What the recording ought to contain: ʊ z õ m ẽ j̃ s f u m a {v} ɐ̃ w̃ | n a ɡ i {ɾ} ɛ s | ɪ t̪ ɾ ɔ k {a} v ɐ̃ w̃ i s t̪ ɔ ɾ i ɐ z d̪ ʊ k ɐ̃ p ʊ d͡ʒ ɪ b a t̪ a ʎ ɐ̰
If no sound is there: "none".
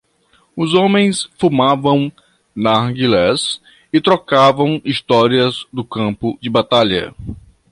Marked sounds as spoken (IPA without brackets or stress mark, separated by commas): v, l, a